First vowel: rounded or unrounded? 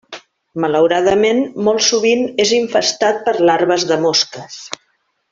unrounded